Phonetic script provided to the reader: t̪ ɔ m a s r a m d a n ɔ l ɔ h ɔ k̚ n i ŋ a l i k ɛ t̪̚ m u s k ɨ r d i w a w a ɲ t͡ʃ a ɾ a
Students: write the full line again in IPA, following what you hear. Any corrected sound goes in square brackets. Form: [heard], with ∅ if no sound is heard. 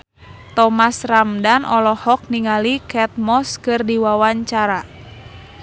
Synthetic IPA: t̪ ɔ m a s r a m d a n ɔ l ɔ h ɔ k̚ n i ŋ a l i k ɛ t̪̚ m [ɔ] s k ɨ r d i w a w a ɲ t͡ʃ a ɾ a